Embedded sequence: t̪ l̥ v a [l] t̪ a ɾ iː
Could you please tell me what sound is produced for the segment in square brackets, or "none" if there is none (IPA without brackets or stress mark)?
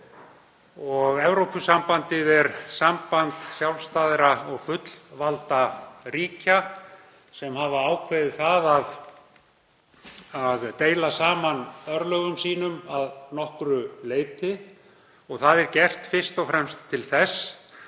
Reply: l